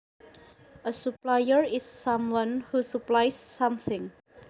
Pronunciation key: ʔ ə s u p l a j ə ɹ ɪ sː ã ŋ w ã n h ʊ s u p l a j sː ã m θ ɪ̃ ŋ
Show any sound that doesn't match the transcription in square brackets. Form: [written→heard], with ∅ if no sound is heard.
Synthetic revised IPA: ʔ ə s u p l a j ə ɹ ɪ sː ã [ŋ→m] w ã n h [ʊ→u] s u p l a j sː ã m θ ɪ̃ ŋ